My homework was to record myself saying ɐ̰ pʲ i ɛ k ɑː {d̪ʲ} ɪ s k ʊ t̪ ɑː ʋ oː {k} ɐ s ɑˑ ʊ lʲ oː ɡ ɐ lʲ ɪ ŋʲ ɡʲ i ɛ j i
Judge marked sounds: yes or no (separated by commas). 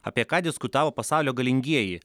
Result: yes, no